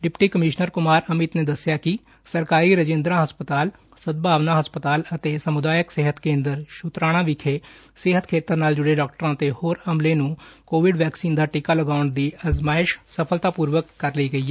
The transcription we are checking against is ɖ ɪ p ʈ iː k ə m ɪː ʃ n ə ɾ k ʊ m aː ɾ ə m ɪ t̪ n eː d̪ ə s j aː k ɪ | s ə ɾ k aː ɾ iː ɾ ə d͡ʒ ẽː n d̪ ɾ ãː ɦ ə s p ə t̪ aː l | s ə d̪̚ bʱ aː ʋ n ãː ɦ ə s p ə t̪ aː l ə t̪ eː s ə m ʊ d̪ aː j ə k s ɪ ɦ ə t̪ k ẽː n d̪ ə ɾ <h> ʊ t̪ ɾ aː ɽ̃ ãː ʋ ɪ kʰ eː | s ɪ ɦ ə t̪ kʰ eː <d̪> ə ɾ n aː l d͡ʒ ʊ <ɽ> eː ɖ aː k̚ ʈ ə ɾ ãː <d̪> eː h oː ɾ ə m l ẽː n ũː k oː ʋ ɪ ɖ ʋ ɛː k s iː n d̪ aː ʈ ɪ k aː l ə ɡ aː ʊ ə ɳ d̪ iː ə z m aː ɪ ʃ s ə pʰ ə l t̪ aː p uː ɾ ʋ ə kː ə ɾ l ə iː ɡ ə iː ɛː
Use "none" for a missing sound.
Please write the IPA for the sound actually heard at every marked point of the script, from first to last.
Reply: ʃ, t̪, ɽ, t̪

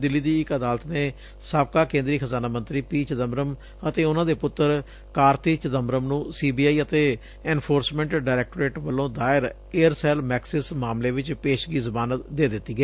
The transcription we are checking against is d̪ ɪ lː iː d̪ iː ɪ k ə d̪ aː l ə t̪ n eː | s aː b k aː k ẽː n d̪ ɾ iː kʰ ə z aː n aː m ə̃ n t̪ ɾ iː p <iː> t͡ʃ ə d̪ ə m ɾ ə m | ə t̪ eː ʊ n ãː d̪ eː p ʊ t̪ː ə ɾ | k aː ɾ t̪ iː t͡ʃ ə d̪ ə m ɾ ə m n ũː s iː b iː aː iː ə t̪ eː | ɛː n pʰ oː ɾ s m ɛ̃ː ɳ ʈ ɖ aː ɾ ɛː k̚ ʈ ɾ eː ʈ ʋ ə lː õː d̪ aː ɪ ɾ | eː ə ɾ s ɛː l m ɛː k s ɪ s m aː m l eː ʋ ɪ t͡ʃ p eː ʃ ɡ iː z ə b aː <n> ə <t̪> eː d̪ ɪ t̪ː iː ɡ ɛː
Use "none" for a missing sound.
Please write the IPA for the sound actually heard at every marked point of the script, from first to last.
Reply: iː, n, d̪

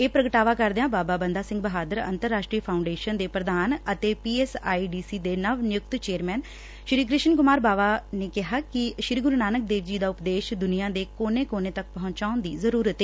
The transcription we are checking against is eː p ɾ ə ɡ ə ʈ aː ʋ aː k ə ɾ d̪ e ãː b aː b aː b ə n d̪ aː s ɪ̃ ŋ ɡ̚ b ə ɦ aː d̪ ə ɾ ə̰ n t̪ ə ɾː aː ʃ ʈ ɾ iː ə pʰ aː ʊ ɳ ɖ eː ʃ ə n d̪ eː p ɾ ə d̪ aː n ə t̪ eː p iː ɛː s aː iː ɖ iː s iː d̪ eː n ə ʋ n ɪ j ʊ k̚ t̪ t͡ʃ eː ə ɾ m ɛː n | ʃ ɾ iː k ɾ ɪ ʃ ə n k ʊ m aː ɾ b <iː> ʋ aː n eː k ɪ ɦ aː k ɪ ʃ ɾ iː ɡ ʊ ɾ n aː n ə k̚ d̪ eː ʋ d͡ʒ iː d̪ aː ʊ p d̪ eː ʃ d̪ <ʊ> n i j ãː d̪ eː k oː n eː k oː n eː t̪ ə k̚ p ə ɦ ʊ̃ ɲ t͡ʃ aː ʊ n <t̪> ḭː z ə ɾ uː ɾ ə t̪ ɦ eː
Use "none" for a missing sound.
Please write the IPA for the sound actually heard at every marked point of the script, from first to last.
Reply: aː, ʊ, d̪

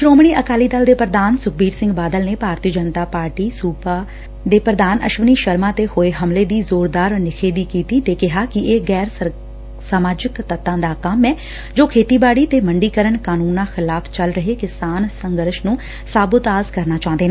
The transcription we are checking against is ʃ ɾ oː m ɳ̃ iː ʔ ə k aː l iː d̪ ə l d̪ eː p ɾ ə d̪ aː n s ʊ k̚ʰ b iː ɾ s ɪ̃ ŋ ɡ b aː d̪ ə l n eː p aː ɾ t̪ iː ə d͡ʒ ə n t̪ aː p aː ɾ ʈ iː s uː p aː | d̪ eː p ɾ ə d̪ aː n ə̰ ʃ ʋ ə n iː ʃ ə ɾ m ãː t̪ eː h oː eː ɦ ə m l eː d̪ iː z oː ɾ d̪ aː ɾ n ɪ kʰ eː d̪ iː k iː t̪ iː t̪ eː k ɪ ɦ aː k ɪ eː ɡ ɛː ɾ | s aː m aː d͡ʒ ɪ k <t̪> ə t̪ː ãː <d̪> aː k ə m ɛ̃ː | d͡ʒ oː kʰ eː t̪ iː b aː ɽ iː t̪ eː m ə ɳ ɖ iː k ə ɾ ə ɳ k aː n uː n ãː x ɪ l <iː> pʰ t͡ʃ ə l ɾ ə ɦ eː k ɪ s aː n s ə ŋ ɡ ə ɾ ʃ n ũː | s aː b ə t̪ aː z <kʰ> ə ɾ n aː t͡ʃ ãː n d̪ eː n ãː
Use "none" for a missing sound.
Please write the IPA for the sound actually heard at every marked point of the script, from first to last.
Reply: t̪, d̪, aː, k

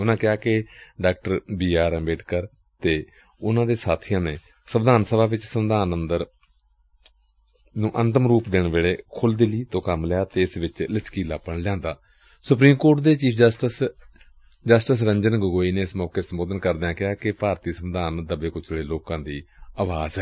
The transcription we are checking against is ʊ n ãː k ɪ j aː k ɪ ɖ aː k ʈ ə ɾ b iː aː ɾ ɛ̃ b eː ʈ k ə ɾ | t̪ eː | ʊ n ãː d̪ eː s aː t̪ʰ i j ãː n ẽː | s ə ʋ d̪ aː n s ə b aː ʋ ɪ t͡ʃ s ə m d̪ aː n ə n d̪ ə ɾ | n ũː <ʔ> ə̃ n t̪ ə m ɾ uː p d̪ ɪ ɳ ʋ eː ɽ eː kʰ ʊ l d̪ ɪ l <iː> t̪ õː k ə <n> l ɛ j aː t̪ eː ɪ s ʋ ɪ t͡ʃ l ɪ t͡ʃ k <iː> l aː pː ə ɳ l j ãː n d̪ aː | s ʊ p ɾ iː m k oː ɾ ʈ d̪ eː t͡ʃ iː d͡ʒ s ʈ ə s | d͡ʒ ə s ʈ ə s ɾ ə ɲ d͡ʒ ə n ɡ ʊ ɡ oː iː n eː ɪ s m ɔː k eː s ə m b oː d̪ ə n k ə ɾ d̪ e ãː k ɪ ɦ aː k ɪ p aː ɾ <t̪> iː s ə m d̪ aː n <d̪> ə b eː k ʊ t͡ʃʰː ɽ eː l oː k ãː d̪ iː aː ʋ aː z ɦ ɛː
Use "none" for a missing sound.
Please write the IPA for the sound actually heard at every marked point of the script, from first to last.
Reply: ʔ, iː, m, iː, t̪, d̪

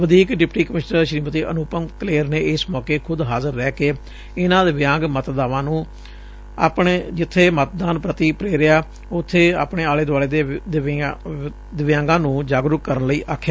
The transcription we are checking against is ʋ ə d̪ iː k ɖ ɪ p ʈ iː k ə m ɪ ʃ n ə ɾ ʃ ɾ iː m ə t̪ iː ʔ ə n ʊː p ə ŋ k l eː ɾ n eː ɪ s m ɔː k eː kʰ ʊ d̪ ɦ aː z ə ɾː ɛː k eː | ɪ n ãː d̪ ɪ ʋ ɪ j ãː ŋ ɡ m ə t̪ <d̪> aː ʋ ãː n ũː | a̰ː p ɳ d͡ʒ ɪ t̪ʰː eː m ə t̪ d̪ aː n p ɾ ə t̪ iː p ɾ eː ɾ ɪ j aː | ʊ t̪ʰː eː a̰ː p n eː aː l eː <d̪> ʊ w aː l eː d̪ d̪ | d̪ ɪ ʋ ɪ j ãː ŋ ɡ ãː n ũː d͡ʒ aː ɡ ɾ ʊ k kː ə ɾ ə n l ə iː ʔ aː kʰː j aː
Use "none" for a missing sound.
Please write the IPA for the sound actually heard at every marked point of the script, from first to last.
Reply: d̪, d̪

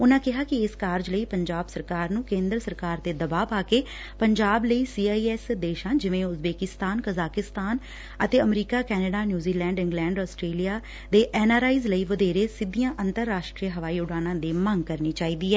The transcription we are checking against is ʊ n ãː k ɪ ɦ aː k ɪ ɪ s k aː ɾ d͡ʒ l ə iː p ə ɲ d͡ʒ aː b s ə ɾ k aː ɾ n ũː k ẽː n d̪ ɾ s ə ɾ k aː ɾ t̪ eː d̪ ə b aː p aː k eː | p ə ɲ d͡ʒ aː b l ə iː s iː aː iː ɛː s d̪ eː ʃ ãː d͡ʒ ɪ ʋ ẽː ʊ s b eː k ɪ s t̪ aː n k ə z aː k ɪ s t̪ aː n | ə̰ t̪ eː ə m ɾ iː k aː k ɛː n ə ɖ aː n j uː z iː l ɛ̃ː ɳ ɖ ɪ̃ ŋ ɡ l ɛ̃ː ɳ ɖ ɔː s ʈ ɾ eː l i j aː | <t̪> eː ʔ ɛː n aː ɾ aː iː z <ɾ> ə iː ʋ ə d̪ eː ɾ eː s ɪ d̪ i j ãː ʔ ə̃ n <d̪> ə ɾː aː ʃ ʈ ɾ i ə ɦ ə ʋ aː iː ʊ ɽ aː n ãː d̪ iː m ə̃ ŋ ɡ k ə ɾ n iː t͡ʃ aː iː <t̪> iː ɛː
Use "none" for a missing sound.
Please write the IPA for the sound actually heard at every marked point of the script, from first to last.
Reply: d̪, l, t̪, d̪

